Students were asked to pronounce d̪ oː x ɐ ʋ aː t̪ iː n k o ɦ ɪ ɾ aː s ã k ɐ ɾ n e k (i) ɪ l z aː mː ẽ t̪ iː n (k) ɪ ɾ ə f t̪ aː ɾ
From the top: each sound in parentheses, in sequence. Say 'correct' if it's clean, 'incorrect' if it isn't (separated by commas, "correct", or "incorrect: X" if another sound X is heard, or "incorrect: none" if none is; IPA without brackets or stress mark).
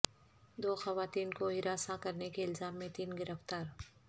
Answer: incorrect: e, incorrect: ɡ